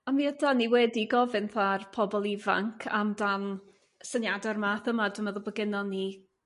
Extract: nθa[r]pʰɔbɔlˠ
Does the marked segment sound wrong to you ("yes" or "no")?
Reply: no